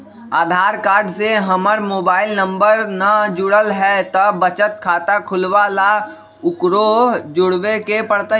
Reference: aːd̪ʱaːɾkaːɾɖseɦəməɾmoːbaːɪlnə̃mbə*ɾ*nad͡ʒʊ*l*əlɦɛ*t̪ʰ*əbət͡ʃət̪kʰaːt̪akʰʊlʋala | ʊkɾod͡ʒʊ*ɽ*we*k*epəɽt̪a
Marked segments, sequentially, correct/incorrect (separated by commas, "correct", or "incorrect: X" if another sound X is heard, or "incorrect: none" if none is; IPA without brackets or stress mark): correct, incorrect: ɽ, incorrect: t̪, correct, correct